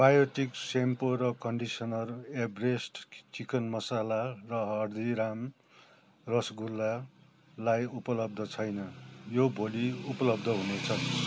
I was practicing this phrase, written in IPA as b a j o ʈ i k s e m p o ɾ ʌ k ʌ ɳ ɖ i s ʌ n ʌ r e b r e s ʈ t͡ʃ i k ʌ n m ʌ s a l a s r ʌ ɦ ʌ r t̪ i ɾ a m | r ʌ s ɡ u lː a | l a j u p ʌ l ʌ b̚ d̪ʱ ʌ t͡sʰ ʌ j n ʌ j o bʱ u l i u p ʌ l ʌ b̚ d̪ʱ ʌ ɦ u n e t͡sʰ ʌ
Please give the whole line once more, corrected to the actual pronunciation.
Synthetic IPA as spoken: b a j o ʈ i k s e m p o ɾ ʌ k ʌ ɳ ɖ i s ʌ n ʌ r e b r e s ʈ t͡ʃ i k ʌ n m ʌ s a l a r ʌ ɦ ʌ r d̪ i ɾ a m | r ʌ s ɡ u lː a | l a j u p ʌ l ʌ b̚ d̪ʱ ʌ t͡sʰ ʌ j n ʌ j o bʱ o l i u p ʌ l ʌ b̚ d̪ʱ ʌ ɦ u n e t͡sʰ ʌ

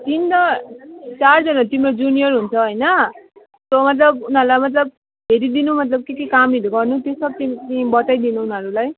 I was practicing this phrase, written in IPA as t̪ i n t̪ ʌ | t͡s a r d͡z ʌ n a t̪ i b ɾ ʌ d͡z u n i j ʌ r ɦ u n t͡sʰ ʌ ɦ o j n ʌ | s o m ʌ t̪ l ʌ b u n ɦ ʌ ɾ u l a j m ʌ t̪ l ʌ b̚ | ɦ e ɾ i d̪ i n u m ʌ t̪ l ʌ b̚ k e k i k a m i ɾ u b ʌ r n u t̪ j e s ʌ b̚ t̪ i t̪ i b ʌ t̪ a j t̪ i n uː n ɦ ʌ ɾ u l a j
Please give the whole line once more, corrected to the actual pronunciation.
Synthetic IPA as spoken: t̪ i n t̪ ʌ | t͡s a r d͡z ʌ n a t̪ i m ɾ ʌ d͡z u n i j ʌ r ɦ u n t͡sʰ ʌ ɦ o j n ʌ | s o m ʌ t̪ l ʌ b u n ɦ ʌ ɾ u l a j m ʌ t̪ l ʌ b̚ | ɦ e ɾ i d̪ i n u m ʌ t̪ l ʌ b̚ k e k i k a m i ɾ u ɡ ʌ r n u t̪ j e s ʌ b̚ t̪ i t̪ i b ʌ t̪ a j d̪ i n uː n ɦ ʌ ɾ u l a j

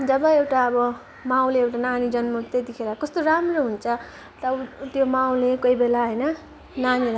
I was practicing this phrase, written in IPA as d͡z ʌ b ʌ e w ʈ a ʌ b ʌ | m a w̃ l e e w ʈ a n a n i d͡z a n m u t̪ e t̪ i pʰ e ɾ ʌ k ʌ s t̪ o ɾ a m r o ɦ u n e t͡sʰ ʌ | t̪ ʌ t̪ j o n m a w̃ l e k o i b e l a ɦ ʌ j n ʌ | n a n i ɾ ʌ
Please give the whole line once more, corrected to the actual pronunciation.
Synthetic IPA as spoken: d͡z ʌ b ʌ e w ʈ a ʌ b ʌ | m a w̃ l e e w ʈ a n a n i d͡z ʌ n m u t̪ e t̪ i kʰ e ɾ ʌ k ʌ s t̪ o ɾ a m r o ɦ u n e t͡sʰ ʌ | t̪ ʌ t̪ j o m a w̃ l e k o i b e l a ɦ ʌ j n ʌ | n a n i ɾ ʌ

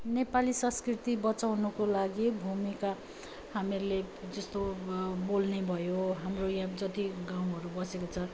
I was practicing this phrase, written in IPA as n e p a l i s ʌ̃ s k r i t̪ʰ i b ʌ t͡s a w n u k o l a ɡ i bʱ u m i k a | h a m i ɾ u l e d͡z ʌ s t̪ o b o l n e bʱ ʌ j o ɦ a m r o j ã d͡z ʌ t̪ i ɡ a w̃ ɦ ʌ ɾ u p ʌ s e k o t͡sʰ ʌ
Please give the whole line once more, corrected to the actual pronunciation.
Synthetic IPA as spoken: n e p a l i s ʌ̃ s k r i t̪ i b ʌ t͡s a w n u k o l a ɡ i bʱ u m i k a | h a m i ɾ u l e d͡z ʌ s t̪ o b o l n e bʱ ʌ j o ɦ a m r o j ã d͡z ʌ t̪ i ɡ a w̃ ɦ ʌ ɾ u b ʌ s e k o t͡sʰ ʌ

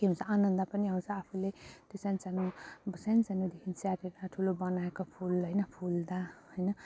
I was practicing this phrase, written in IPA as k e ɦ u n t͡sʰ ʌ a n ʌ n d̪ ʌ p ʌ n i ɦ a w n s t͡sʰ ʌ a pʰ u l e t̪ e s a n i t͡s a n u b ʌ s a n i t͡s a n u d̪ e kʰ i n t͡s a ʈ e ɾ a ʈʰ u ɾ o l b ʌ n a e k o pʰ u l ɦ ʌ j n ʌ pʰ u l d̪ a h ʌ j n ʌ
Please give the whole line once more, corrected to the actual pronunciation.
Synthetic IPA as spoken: k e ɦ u n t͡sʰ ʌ a n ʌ n d̪ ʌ p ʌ n i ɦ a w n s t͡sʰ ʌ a pʰ u l e t̪ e s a n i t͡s a n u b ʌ s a n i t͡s a n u d̪ e kʰ i n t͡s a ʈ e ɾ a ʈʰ u l o b ʌ n a e k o pʰ u l ɦ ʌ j n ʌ pʰ u l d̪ a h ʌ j n ʌ

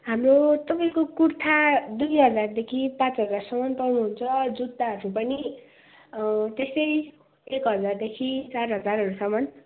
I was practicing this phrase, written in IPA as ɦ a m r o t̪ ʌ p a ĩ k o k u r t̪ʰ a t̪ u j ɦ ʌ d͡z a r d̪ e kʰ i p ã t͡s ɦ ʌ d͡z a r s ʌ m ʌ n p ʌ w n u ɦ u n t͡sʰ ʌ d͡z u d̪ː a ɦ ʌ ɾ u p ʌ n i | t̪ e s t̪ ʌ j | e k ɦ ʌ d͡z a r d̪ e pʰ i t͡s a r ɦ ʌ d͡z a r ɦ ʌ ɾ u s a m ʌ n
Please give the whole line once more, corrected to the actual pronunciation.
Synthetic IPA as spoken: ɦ a m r o t̪ ʌ p a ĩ k o k u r t̪ʰ a d̪ u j ɦ ʌ d͡z a r d̪ e kʰ i p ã t͡s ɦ ʌ d͡z a r s ʌ m ʌ n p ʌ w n u ɦ u n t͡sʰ ʌ d͡z u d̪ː a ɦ ʌ ɾ u p ʌ n i | t̪ e s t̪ ʌ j | e k ɦ ʌ d͡z a r d̪ e kʰ i t͡s a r ɦ ʌ d͡z a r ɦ ʌ ɾ u s ʌ m ʌ n

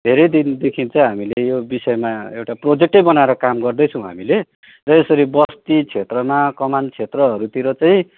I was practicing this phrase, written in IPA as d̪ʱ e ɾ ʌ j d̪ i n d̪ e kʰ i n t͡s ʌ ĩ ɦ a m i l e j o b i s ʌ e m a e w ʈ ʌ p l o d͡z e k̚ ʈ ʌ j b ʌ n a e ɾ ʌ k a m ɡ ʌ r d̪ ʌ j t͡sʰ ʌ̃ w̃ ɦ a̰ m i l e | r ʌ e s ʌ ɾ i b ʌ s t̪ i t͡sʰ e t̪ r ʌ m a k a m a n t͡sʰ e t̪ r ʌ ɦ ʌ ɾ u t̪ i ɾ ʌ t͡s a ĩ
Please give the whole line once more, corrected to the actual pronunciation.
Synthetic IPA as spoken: d̪ʱ e ɾ ʌ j d̪ i n d̪ e kʰ i n t͡s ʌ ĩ ɦ a m i l e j o b i s ʌ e m a e w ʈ a p r o d͡z e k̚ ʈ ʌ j b ʌ n a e ɾ ʌ k a m ɡ ʌ r d̪ ʌ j t͡sʰ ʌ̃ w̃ ɦ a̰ m i l e | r ʌ e s ʌ ɾ i b ʌ s t̪ i t͡sʰ e t̪ r ʌ m a k ʌ m a n t͡sʰ e t̪ r ʌ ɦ ʌ ɾ u t̪ i ɾ ʌ t͡s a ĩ

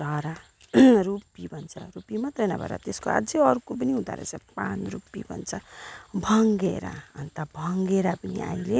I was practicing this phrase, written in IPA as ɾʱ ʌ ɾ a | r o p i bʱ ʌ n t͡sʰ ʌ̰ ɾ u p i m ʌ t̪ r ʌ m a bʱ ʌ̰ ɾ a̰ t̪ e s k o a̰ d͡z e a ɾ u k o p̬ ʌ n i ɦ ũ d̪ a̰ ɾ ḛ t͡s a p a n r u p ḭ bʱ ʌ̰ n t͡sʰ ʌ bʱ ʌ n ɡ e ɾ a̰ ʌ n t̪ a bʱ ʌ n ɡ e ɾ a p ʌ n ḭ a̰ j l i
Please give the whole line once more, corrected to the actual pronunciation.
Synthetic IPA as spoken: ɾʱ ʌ ɾ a | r u p i bʱ ʌ n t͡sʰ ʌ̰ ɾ u p i m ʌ t̪ r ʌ n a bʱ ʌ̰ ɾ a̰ t̪ e s k o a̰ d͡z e ʌ ɾ u k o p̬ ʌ n i ɦ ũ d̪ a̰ ɾ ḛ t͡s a p a n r u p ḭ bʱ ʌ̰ n t͡sʰ ʌ bʱ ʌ ŋ ɡ e ɾ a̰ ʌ n t̪ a bʱ ʌ ŋ ɡ e ɾ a p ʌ n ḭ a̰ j l e

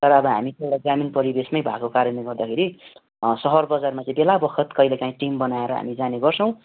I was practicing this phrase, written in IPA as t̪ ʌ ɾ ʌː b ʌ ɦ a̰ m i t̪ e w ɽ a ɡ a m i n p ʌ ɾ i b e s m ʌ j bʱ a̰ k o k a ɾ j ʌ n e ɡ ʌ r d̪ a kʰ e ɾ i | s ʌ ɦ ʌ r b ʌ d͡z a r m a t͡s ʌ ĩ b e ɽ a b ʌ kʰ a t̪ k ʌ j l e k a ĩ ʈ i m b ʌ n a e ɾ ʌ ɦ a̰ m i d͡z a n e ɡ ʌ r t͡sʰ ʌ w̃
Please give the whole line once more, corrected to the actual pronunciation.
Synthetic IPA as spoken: t̪ ʌ ɾ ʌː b ʌ ɦ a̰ m i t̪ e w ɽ a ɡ a m i n p ʌ ɾ i b e s m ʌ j bʱ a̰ k o k a ɾ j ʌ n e ɡ ʌ r d̪ a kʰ e ɾ i | s ʌ ɦ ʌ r b ʌ d͡z a r m a t͡s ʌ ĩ b e l a b ʌ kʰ ʌ t̪ k ʌ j l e k a ĩ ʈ i m b ʌ n a e ɾ ʌ ɦ a̰ m i d͡z a n e ɡ ʌ r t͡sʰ ʌ w̃

